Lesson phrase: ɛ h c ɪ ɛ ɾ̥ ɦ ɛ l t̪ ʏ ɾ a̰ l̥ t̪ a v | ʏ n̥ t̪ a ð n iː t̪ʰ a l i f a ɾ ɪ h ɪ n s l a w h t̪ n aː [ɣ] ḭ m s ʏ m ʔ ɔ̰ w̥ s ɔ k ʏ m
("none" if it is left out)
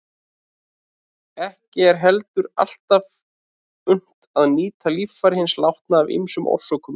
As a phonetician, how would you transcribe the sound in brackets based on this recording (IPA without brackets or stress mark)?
v